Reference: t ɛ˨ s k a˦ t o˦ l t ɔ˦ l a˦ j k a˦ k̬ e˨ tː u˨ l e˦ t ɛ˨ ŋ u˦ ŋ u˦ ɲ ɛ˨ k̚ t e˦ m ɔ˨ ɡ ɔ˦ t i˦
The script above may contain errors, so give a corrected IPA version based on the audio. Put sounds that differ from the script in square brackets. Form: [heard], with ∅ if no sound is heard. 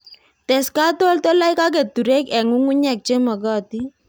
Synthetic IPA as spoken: t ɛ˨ s k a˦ t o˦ l t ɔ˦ l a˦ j k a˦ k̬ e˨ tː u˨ [ɾ] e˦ [k] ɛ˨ ŋ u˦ ŋ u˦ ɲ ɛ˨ k̚ [t͡ʃ] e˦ m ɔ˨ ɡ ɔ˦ t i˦